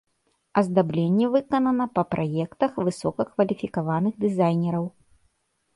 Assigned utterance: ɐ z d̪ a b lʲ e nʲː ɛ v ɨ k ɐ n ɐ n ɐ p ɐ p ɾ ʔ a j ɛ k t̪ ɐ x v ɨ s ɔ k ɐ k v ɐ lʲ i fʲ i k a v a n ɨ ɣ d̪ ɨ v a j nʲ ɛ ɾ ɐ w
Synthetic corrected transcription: ɐ z d̪ a b lʲ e nʲː ɛ v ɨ k ɐ n ɐ n ɐ p ɐ p ɾ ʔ a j ɛ k t̪ ɐ x v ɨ s ɔ k ɐ k v ɐ lʲ i fʲ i k a v a n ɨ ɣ d̪ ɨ z a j nʲ ɛ ɾ ɐ w